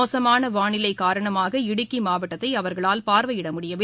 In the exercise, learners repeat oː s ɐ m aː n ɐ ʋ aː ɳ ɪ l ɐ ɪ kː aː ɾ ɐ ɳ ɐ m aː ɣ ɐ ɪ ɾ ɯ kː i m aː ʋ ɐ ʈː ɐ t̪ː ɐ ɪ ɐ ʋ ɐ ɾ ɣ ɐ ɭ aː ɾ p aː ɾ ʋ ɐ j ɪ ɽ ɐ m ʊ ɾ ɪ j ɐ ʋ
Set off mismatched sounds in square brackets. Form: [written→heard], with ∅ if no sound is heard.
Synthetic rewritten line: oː s ɐ m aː n ɐ ʋ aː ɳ ɪ l ɐ ɪ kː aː ɾ ɐ ɳ ɐ m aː ɣ ɐ ɪ [ɾ→ɽ] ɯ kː i m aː ʋ ɐ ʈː ɐ t̪ː ɐ ɪ ɐ ʋ ɐ ɾ ɣ ɐ ɭ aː [ɾ→l] p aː ɾ ʋ ɐ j ɪ ɽ ɐ m ʊ [ɾ→ɽ] ɪ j ɐ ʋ